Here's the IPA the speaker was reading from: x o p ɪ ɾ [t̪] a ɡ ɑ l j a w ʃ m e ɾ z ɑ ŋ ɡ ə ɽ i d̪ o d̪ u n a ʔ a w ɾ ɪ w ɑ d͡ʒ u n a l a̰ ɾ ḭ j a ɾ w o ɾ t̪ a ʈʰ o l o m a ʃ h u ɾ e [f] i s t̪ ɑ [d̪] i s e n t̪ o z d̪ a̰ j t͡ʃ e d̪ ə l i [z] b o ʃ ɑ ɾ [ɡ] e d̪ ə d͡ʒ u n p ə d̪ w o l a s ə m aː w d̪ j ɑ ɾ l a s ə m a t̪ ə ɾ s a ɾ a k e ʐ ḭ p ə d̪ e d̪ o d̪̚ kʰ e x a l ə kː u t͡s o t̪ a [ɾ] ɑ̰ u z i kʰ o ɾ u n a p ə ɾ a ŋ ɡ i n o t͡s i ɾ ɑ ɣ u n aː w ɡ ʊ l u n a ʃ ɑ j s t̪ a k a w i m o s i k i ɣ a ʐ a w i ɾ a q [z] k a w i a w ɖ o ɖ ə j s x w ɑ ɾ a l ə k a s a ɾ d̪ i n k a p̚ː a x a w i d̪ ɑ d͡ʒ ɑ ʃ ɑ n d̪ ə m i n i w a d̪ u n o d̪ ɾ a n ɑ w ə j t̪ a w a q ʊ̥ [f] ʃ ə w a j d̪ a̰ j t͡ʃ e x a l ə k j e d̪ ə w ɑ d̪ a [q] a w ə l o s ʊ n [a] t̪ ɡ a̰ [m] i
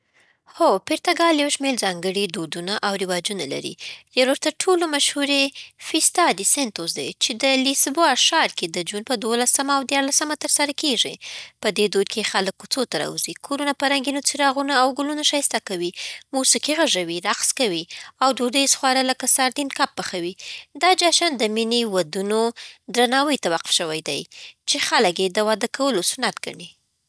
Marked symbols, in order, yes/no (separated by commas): yes, yes, yes, no, no, yes, no, yes, no, yes, no